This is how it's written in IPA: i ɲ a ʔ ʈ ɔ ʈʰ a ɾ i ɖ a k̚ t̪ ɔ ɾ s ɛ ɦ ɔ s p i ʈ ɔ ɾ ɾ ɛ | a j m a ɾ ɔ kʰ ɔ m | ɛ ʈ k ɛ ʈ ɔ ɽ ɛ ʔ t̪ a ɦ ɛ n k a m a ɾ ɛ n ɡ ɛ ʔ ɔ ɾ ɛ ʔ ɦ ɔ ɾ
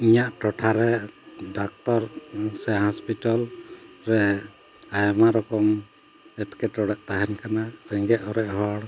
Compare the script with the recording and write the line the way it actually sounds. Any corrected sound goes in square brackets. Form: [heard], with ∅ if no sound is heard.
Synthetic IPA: i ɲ a ʔ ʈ ɔ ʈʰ a ɾ [ɛ] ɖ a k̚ t̪ ɔ ɾ s ɛ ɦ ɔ s p i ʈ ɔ [l] ɾ ɛ | a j m a ɾ ɔ [k] ɔ m | ɛ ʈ k ɛ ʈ ɔ ɽ ɛ ʔ t̪ a ɦ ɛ n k a [n] a ɾ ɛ [ŋ] ɡ ɛ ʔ ɔ ɾ ɛ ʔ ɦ ɔ [ɽ]